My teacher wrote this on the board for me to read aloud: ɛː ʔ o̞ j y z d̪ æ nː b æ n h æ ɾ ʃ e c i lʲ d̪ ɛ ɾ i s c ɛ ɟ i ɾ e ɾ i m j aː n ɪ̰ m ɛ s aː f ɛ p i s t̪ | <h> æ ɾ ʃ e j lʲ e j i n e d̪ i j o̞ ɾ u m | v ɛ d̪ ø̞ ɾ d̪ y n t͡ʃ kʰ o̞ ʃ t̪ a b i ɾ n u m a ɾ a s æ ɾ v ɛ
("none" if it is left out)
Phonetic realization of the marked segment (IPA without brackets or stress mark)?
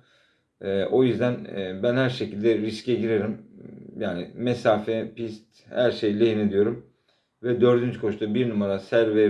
h